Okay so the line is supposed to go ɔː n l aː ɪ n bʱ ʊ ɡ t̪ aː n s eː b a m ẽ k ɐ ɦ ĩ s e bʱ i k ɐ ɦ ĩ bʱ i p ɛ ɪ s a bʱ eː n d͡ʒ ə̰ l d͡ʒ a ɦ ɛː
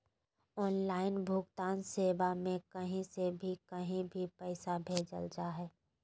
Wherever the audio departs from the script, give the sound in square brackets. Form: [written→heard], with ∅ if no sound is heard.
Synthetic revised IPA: ɔː n l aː ɪ n bʱ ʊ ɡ t̪ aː n s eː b a m ẽ k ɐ ɦ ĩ s e bʱ i k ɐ ɦ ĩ bʱ i p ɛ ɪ s a bʱ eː [n→∅] d͡ʒ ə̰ l d͡ʒ a ɦ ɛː